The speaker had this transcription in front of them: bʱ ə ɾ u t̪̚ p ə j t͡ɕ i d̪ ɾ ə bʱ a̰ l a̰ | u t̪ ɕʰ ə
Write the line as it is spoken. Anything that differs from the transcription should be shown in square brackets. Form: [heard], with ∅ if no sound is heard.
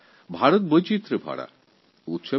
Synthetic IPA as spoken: bʱ [a] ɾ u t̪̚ [b] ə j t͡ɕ i [t̪] ɾ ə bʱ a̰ [ɽ] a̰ | u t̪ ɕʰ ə